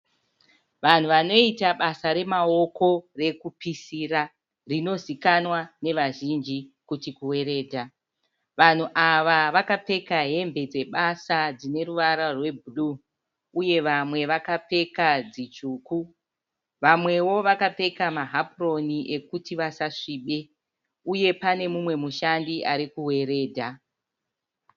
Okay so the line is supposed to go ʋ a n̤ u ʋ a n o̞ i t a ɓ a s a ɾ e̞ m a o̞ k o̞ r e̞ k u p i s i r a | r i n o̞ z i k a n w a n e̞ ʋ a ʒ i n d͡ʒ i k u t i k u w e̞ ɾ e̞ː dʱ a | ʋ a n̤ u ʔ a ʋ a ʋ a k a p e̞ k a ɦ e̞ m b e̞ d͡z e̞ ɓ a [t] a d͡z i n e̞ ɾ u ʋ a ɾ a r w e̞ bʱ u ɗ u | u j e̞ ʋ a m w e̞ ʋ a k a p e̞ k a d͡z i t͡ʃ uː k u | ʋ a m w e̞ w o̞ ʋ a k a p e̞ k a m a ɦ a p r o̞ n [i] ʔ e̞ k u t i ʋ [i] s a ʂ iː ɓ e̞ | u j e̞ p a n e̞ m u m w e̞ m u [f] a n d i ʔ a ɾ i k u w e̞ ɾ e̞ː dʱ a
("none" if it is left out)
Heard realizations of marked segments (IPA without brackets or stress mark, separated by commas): s, i, a, ʃ